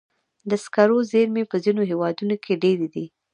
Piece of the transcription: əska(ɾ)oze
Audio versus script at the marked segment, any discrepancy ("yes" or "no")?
no